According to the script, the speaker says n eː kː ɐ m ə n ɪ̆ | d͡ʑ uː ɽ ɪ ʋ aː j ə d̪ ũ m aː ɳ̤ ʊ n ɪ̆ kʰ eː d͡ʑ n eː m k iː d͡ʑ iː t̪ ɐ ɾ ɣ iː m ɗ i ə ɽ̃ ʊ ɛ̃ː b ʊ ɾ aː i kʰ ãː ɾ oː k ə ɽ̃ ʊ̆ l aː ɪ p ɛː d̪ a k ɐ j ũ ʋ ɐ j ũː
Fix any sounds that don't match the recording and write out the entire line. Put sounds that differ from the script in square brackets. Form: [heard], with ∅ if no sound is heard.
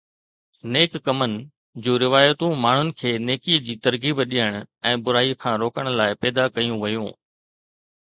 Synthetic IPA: n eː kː ɐ m ə n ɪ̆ | d͡ʑ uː [ɾ] ɪ ʋ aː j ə [t̪] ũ m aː ɳ̤ ʊ n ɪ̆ kʰ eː [∅] n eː [∅] k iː d͡ʑ iː t̪ ɐ ɾ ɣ iː [b] ɗ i ə ɽ̃ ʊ ɛ̃ː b ʊ ɾ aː i kʰ ãː ɾ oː k ə ɽ̃ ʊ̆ l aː ɪ p ɛː d̪ a k ɐ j ũ ʋ ɐ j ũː

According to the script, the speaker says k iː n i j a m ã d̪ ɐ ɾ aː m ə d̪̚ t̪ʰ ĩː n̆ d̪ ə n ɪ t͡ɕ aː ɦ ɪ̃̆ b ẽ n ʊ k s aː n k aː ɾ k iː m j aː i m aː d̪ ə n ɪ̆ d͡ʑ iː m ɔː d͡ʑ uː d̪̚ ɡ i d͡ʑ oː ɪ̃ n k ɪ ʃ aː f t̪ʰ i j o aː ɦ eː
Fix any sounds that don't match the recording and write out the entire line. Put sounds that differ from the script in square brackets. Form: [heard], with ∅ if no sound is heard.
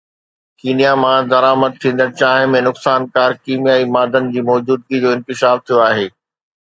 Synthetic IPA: k iː n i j a m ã d̪ ɐ ɾ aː m ə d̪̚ t̪ʰ ĩː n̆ d̪ ə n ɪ t͡ɕ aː ɦ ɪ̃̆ [m] ẽ n ʊ k s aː n k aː ɾ k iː m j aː i m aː d̪ ə n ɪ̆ d͡ʑ iː m ɔː d͡ʑ uː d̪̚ ɡ i d͡ʑ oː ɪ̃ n k ɪ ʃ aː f t̪ʰ i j o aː ɦ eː

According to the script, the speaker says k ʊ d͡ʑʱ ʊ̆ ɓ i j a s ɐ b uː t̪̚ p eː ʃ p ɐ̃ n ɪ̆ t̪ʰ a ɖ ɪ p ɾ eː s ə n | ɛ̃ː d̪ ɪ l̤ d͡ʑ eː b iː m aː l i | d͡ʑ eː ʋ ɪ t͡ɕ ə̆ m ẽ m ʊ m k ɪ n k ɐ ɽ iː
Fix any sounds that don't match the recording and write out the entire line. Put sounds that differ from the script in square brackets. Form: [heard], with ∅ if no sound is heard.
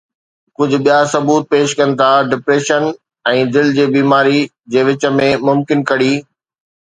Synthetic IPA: k ʊ d͡ʑʱ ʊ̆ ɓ i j a s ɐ b uː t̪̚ p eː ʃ [k] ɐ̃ n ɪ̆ t̪ʰ a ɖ ɪ p ɾ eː [ʃ] ə n | ɛ̃ː d̪ ɪ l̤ d͡ʑ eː b iː m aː [ɾ] i | d͡ʑ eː ʋ ɪ t͡ɕ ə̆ m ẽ m ʊ m k ɪ n k ɐ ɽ iː

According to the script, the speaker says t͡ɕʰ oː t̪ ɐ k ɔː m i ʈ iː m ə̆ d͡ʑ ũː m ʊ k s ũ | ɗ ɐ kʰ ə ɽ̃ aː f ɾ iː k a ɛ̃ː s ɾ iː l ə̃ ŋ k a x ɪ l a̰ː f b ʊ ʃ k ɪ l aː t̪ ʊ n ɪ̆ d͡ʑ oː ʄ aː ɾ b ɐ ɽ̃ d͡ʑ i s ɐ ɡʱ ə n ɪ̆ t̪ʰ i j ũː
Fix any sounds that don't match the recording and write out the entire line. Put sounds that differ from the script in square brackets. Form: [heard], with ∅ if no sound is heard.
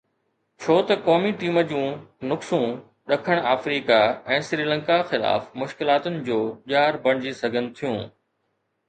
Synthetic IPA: t͡ɕʰ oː t̪ ɐ k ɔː m i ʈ iː m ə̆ d͡ʑ ũː [n] ʊ k s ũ | ɗ ɐ kʰ ə ɽ̃ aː f ɾ iː k a ɛ̃ː s ɾ iː l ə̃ ŋ k a x ɪ l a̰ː f [m] ʊ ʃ k ɪ l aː t̪ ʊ n ɪ̆ d͡ʑ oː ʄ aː ɾ b ɐ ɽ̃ d͡ʑ i s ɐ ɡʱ ə n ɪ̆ t̪ʰ i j ũː

